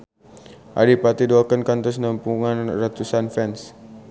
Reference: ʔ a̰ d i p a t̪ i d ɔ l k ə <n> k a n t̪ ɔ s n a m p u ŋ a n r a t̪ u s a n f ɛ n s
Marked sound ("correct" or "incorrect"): correct